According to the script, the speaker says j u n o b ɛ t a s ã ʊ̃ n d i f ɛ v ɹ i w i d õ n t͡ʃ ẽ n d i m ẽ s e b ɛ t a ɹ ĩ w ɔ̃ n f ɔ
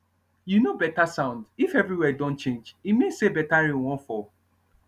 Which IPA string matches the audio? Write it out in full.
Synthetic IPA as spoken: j u n o b ɛ t a s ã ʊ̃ n d i f ɛ v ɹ i w ɛ d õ n t͡ʃ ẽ n d͡ʒ i m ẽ s e b ɛ t a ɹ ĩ w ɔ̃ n f ɔ